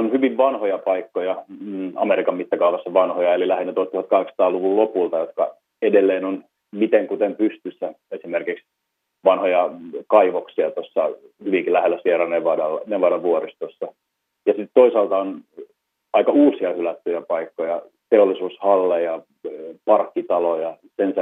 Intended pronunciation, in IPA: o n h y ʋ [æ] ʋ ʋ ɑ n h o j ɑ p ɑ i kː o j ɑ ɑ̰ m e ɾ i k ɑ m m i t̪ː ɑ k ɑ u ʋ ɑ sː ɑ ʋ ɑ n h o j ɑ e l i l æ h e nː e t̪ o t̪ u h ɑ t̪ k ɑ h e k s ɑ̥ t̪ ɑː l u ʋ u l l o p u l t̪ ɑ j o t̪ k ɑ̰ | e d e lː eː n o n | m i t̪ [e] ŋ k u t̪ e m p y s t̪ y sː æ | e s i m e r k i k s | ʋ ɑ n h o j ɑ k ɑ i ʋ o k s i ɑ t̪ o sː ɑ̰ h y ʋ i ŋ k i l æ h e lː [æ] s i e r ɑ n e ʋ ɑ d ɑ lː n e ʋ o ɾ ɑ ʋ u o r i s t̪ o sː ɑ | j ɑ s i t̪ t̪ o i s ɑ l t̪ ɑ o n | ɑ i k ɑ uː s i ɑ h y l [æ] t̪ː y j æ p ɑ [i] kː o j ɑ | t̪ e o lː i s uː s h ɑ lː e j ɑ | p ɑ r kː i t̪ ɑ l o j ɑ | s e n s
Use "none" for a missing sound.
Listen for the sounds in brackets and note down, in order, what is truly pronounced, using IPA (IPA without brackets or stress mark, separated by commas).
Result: i, e, æ, æ, i